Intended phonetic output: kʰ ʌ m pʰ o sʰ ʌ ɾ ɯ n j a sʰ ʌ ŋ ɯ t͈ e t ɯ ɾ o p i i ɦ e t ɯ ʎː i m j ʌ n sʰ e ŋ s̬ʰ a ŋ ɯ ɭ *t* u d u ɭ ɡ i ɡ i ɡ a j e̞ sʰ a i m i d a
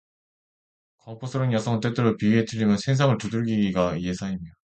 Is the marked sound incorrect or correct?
correct